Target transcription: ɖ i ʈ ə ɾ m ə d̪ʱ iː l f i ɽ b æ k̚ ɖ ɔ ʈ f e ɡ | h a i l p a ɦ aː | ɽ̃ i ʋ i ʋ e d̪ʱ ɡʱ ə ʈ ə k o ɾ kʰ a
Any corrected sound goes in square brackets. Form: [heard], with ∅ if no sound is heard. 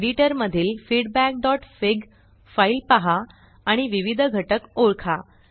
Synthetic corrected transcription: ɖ i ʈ ə ɾ m ə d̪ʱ iː l f i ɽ b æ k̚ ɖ ɔ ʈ f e ɡ | [f] a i l p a ɦ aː | ɽ̃ i ʋ i ʋ [i] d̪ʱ ɡʱ ə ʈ ə k o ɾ kʰ a